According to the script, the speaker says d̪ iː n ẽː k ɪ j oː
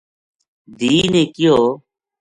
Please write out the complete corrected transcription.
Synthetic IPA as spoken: d̪ iː n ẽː k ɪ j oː